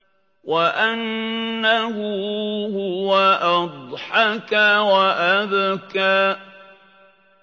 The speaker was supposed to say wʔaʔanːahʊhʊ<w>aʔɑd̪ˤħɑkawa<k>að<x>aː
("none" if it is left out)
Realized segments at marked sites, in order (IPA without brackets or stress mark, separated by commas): w, ʔ, k